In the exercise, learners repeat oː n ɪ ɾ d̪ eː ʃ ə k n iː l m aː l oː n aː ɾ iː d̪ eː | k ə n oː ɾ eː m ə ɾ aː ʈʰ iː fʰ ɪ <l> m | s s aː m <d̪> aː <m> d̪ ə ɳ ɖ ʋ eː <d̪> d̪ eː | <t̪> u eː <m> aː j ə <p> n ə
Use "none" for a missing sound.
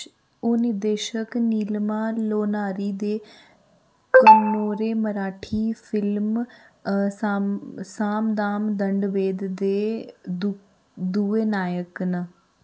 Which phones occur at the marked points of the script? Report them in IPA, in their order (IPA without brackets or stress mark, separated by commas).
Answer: l, d̪, m, d̪, d̪, n, k